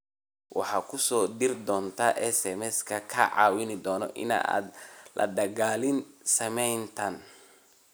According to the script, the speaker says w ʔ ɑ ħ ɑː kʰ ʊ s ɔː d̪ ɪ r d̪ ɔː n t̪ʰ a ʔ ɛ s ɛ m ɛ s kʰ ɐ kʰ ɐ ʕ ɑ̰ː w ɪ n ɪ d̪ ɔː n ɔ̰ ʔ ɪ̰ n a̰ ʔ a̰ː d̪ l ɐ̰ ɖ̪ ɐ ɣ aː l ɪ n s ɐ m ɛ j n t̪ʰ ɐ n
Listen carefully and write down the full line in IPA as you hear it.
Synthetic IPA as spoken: w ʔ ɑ ħ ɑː kʰ ʊ s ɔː d̪ ɪ r d̪ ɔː n t̪ʰ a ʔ ɛ s ɛ m ɛ s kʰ ɐ kʰ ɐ ʕ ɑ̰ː w ɪ n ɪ d̪ ɔː n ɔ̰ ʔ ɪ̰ n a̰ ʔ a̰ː d̪ l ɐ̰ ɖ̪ ɐ ɣ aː l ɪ n s ɐ m ɛ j n t̪ʰ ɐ n